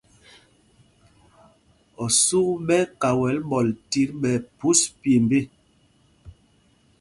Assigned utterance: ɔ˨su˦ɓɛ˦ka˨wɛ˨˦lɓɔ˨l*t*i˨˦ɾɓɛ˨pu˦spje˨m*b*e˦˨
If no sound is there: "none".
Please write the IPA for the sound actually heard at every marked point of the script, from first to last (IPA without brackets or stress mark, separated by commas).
t, b